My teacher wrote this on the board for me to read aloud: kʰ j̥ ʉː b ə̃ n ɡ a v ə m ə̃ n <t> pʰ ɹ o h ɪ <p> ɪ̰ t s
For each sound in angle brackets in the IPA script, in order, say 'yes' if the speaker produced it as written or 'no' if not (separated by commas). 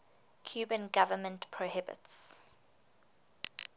yes, no